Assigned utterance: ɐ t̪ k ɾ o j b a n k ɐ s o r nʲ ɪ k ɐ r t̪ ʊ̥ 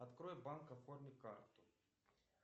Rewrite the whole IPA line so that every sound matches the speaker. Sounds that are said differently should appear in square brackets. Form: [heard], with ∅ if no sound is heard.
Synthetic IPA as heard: ɐ t̪ k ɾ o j b a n k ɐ [f] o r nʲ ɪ k [a] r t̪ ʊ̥